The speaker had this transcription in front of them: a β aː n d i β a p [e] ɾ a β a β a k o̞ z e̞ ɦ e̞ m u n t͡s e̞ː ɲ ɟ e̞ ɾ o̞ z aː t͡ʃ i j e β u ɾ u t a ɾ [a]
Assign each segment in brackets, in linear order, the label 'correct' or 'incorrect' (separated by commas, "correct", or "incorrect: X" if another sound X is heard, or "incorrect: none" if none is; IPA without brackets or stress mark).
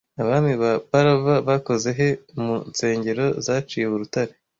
incorrect: a, incorrect: e